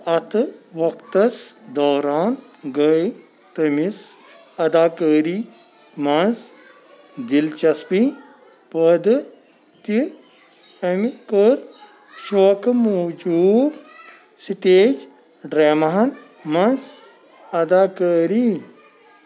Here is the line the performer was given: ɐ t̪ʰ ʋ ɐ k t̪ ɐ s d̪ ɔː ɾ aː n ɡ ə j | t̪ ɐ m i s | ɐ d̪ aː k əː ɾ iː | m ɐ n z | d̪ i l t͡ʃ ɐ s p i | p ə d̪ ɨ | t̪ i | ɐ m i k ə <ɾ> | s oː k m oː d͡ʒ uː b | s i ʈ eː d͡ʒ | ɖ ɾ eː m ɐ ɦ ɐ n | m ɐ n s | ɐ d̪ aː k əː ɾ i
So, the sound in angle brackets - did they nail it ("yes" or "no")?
yes